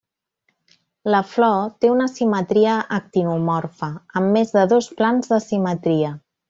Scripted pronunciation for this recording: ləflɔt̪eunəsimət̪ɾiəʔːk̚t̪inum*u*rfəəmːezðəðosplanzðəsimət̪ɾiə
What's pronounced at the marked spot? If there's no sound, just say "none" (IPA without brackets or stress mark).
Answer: ɔ